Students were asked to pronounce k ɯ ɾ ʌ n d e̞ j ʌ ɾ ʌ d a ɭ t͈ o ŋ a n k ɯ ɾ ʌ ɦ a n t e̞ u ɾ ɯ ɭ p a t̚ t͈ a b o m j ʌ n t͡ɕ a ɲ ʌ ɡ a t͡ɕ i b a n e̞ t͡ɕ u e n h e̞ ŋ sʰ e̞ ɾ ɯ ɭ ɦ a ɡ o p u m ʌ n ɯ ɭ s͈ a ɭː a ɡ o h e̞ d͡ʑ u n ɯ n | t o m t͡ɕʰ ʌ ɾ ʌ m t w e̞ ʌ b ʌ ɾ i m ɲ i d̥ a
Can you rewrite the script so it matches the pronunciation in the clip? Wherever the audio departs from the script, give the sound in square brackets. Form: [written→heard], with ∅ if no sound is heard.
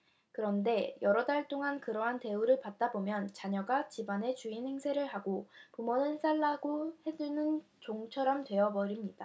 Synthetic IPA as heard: k ɯ ɾ ʌ n d e̞ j ʌ ɾ ʌ d a ɭ t͈ o ŋ a n k ɯ ɾ ʌ ɦ a n t e̞ u ɾ ɯ ɭ p a t̚ t͈ a b o m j ʌ n t͡ɕ a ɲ ʌ ɡ a t͡ɕ i b a n e̞ t͡ɕ u [e→i] n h e̞ ŋ sʰ e̞ ɾ ɯ ɭ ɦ a ɡ o p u m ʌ n ɯ ɭ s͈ a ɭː a ɡ o h e̞ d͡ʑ u n ɯ n | [t→t͡ɕ] o [m→ŋ] t͡ɕʰ ʌ ɾ ʌ m t w e̞ ʌ b ʌ ɾ i m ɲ i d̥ a